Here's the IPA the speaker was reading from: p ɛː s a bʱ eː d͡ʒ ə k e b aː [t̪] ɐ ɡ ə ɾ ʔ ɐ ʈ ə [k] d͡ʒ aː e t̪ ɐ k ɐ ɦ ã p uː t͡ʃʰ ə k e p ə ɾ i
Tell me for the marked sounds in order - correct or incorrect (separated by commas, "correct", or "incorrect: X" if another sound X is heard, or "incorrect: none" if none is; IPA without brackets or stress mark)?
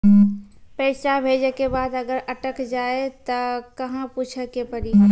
incorrect: d̪, correct